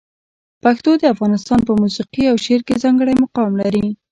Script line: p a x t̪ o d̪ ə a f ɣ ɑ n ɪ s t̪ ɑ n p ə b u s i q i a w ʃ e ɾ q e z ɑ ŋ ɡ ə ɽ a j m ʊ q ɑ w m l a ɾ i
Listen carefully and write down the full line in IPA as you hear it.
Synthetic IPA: p a x t̪ o d̪ ə a f ɣ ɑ n ɪ s t̪ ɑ n p ə m u s i q i a w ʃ e ɾ k e z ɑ ŋ ɡ ə ɽ a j m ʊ q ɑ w m l a ɾ i